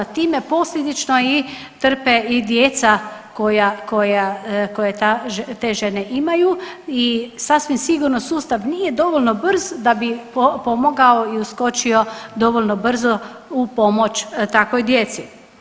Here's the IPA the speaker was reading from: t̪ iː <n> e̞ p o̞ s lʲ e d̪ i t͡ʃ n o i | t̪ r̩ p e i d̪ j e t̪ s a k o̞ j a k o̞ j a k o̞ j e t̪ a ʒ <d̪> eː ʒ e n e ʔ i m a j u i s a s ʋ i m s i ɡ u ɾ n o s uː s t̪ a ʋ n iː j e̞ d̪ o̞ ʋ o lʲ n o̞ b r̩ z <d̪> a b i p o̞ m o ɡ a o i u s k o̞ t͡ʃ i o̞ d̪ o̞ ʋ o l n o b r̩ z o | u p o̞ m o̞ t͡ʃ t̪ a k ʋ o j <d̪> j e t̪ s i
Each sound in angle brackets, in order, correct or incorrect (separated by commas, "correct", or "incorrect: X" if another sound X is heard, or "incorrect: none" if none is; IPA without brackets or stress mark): incorrect: m, incorrect: t̪, correct, correct